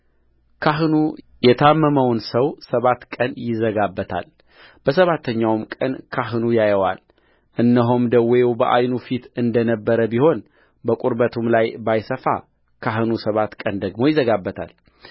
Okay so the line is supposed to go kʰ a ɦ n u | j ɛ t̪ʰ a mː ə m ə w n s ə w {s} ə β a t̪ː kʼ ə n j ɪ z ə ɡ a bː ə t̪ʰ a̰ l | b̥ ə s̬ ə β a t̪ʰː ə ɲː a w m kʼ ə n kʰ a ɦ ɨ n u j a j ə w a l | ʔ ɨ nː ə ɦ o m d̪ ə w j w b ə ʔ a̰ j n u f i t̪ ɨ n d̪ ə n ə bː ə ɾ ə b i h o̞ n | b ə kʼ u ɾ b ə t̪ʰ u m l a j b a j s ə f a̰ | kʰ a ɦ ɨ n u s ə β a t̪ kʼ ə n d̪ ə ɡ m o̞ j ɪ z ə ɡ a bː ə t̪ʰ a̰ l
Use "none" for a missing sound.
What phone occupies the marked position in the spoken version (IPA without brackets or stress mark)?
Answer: s